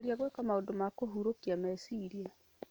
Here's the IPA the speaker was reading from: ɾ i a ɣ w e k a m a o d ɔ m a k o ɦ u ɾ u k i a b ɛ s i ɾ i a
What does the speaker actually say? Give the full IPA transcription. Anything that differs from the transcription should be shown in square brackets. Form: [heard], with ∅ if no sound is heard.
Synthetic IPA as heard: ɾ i a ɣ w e k a m a o d [o] m a k o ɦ u ɾ [o] k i a [m] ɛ s i ɾ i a